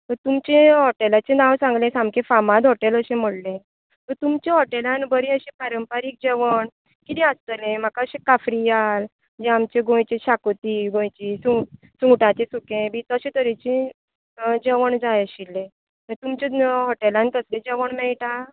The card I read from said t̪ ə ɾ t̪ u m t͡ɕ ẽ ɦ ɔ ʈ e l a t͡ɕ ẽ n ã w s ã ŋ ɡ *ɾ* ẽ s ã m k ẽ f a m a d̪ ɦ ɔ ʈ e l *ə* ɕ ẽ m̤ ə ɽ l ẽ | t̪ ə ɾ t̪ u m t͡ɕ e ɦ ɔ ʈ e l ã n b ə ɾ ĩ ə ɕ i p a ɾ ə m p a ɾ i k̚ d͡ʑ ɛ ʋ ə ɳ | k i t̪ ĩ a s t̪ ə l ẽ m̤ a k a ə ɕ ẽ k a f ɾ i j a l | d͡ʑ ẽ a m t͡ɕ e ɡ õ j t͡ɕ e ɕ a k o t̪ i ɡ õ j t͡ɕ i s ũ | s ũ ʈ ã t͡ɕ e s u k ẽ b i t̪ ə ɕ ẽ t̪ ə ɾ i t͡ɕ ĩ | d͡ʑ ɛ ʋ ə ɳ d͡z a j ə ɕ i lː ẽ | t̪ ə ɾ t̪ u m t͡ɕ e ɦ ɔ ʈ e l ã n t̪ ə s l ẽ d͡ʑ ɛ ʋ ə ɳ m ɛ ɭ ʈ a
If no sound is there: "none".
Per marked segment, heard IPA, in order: l, ə

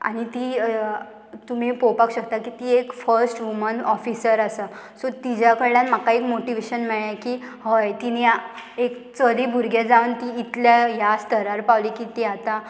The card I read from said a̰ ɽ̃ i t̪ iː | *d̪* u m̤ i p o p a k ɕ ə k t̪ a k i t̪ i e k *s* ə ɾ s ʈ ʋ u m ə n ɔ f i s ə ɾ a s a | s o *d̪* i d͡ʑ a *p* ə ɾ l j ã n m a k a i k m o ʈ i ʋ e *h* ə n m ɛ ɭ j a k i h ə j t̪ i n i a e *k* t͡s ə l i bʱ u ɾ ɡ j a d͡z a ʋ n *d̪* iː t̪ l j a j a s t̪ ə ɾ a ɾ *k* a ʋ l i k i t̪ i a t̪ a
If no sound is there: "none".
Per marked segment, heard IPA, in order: t̪, f, t̪, k, ɕ, k, t̪, p

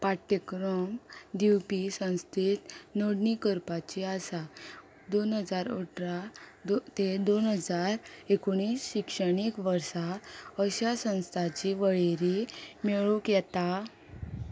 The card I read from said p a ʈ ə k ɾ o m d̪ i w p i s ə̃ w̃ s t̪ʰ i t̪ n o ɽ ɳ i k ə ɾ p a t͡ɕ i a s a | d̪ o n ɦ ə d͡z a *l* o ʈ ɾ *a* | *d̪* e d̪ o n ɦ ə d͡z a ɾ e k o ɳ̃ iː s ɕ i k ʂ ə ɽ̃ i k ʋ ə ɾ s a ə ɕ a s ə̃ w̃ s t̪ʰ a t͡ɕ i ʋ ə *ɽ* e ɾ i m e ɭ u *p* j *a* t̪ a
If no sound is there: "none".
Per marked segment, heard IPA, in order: ɾ, a, t̪, ɭ, k, ɛ

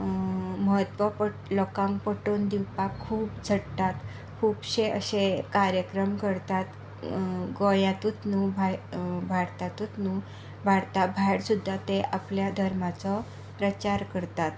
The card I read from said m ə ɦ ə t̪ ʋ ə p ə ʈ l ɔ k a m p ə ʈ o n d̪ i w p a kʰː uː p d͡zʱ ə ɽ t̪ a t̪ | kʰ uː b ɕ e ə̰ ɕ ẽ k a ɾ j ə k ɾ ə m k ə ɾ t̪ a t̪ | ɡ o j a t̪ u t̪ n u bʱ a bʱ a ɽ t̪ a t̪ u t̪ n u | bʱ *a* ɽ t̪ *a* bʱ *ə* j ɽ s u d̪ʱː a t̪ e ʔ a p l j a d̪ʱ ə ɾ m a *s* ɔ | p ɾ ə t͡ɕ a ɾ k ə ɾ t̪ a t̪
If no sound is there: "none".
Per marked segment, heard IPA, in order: a, a, a, t͡s

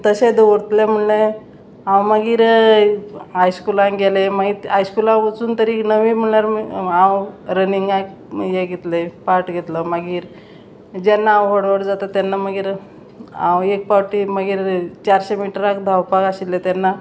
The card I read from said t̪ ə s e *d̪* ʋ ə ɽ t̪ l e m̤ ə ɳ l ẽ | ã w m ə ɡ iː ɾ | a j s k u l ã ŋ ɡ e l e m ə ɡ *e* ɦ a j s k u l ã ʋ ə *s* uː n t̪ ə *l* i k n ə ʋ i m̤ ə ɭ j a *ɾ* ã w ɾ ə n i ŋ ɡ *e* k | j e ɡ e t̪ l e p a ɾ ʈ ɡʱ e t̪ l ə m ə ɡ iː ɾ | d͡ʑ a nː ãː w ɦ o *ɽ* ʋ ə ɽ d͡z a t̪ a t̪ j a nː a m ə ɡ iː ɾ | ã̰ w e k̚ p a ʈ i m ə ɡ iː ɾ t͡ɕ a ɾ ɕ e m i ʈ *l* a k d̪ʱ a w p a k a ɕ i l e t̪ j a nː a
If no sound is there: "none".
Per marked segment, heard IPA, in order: d̪, i, t͡s, ɾ, ɾ, a, ɽ, ɾ

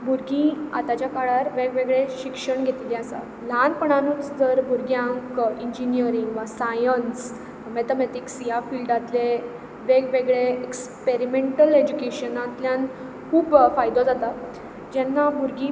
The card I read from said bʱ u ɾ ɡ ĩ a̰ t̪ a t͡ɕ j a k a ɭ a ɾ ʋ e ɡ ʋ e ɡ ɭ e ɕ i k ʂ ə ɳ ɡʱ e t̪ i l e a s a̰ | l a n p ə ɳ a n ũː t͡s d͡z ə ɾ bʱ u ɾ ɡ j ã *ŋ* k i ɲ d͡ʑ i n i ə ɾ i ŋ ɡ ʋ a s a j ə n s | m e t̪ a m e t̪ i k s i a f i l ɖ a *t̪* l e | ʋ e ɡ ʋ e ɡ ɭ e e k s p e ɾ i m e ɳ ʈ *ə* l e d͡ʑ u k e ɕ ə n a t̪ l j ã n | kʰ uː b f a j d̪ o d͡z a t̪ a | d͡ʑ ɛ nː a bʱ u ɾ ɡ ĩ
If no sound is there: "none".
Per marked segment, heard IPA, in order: ŋ, t̪, ə

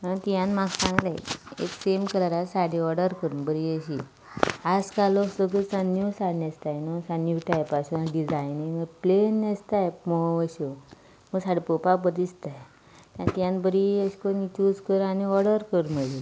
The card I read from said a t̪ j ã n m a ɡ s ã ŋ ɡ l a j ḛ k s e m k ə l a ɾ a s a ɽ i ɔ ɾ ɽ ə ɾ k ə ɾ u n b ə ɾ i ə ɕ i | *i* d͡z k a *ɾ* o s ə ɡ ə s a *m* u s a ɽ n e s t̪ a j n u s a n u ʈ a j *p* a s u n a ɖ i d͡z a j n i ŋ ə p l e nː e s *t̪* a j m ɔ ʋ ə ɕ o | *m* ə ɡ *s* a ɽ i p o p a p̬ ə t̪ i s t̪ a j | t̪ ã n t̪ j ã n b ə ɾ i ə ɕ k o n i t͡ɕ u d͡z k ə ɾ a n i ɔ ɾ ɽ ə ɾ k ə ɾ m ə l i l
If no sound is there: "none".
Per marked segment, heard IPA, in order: a, l, n, p, t̪, m, s

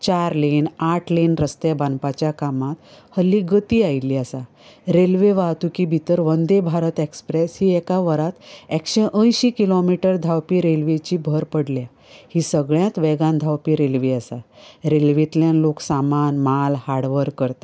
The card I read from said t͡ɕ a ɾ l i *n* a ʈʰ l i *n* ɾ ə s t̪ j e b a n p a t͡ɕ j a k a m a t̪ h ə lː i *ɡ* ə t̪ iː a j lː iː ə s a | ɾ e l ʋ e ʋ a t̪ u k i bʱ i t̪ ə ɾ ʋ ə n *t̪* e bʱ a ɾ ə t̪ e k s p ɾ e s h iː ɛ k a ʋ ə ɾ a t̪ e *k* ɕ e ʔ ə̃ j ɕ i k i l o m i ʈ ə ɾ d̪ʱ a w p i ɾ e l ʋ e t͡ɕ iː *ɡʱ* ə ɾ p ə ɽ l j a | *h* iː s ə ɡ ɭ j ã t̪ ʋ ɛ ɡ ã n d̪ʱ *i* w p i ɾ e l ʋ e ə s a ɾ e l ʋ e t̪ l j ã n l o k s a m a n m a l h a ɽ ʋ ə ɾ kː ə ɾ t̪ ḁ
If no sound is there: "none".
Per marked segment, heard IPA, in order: n, n, ɡ, d̪, k, bʱ, h, a

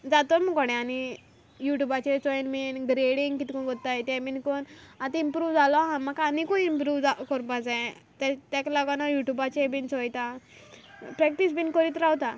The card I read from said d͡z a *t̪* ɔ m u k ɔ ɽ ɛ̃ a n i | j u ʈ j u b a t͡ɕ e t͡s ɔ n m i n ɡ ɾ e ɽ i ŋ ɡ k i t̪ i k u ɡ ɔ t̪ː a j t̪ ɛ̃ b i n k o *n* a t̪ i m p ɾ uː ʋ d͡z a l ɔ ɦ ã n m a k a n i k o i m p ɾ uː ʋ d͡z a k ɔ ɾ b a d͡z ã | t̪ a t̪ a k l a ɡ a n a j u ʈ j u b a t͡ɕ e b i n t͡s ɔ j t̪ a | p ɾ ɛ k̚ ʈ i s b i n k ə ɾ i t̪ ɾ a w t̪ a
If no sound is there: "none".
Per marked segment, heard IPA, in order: t̪, n

